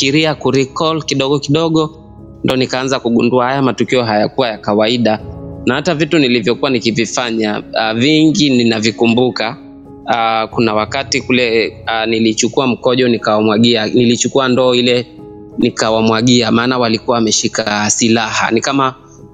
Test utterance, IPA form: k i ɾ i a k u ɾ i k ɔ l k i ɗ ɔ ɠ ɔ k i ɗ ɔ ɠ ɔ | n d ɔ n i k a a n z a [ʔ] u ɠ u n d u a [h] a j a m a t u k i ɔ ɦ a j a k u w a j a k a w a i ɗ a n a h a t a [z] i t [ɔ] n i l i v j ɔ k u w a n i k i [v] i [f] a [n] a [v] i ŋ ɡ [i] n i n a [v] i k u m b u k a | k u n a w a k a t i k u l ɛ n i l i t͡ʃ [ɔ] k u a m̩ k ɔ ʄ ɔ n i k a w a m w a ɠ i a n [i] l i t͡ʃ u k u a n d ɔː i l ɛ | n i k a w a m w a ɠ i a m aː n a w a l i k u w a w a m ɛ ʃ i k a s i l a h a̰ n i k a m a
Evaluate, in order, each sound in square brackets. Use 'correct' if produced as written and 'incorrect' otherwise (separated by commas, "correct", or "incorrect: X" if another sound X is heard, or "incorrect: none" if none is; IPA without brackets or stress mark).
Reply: incorrect: k, correct, incorrect: v, incorrect: u, correct, correct, incorrect: ɲ, correct, correct, correct, incorrect: u, correct